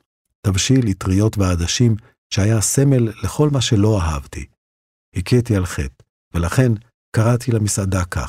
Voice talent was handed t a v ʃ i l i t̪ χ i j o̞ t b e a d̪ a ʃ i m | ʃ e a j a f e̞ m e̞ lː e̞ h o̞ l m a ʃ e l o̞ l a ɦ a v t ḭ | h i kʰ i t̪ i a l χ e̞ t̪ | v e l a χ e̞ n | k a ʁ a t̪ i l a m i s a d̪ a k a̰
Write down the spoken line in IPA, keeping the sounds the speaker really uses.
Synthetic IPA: t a v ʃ i l i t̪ ʁ i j o̞ t v e a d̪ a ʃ i m | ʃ e a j a s e̞ m e̞ lː e̞ χ o̞ l m a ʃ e l o̞ a ɦ a v t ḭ | h i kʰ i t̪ i a l χ e̞ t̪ | v e l a χ e̞ n | k a ʁ a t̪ i l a m i s a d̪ a k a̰